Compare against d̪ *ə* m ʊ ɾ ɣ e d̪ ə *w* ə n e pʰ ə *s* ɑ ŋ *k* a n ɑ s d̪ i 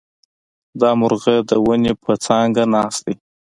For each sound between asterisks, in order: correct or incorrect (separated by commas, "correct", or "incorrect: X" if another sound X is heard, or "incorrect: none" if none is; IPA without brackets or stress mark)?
incorrect: ɑ, correct, incorrect: t͡s, incorrect: ɡ